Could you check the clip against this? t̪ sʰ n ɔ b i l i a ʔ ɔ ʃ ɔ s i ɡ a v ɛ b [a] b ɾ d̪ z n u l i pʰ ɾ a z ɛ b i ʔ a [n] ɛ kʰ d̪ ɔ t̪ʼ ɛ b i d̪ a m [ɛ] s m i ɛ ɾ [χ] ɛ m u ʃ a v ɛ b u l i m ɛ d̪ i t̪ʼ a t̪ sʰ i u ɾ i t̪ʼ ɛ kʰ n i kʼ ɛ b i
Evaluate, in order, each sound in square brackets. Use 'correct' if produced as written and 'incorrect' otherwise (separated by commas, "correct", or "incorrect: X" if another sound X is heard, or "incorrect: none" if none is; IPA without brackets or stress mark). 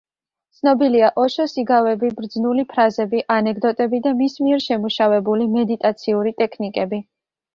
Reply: incorrect: i, correct, incorrect: i, incorrect: ʃ